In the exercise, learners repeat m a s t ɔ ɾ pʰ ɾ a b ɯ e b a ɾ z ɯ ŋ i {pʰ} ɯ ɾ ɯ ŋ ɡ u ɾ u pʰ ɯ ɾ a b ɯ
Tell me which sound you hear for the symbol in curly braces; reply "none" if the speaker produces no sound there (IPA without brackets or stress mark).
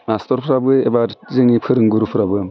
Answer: pʰ